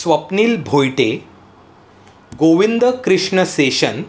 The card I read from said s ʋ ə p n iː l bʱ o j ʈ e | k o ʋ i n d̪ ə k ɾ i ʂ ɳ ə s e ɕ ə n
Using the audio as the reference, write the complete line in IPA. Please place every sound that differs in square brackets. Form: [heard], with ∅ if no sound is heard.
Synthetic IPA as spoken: s ʋ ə p n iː l bʱ o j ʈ e | [ɡ] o ʋ i n d̪ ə k ɾ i ʂ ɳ ə s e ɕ ə n